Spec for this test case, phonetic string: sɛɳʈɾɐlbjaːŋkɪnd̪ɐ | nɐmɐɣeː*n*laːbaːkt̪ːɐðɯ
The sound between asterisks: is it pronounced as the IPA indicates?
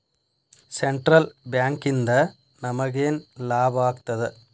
yes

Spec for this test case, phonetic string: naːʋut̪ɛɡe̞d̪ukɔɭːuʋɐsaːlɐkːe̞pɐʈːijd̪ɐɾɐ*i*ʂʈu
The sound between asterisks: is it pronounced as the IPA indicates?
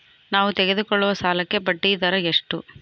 no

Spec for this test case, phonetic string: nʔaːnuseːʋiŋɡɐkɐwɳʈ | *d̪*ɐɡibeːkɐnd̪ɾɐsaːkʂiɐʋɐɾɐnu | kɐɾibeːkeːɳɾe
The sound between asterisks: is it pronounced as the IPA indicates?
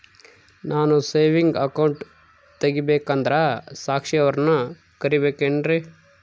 no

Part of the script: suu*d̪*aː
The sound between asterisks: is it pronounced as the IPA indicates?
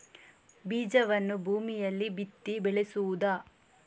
yes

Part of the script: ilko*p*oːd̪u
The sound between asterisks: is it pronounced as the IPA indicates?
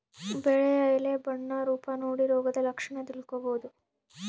no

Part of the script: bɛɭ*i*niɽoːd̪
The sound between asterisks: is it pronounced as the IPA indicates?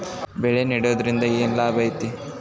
no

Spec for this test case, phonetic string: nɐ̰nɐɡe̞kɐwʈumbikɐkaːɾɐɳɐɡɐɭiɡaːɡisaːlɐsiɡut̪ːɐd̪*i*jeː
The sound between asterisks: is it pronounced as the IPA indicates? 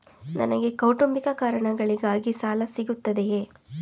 no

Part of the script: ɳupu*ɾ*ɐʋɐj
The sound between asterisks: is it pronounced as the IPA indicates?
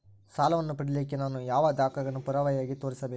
yes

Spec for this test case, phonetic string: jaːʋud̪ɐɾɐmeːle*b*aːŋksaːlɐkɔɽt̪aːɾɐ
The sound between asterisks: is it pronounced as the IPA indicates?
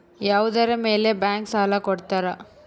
yes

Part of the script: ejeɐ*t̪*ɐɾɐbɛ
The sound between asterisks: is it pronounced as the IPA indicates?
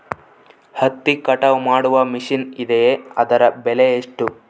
no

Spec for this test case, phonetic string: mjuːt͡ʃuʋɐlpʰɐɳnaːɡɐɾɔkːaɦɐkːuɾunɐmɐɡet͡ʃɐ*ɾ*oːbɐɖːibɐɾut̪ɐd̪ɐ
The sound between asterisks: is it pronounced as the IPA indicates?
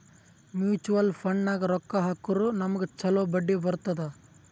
no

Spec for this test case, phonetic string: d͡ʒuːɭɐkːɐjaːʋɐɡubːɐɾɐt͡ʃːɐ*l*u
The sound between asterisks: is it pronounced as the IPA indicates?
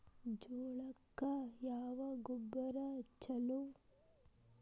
yes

